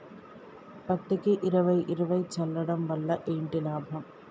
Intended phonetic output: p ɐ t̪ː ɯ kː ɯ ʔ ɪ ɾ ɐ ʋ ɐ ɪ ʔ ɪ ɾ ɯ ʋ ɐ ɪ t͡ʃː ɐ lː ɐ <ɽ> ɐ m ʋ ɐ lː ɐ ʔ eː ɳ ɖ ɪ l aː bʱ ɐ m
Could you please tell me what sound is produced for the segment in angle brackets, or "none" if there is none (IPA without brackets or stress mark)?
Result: ɽ